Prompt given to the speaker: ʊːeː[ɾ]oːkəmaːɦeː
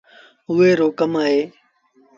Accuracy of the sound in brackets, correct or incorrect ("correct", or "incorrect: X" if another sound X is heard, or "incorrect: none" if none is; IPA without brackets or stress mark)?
correct